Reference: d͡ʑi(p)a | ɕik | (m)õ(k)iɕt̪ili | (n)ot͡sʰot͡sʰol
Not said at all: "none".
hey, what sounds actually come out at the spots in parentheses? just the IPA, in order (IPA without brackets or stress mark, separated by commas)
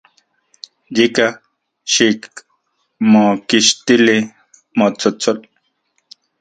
k, m, k, m